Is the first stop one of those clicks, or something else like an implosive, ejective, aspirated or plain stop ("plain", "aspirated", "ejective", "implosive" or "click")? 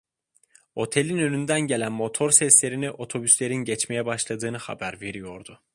aspirated